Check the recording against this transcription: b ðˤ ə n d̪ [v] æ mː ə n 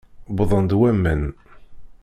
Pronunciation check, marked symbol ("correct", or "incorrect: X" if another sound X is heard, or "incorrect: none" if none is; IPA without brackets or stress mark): incorrect: w